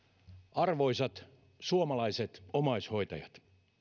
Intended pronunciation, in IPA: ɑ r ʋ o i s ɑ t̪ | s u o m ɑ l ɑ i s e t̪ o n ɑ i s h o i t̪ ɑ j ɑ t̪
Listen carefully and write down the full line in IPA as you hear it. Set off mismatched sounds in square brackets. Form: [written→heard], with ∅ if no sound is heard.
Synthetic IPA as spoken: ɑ r ʋ o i s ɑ t̪ | s u o m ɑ l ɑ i s e t̪ o [n→m] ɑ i s h o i t̪ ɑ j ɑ t̪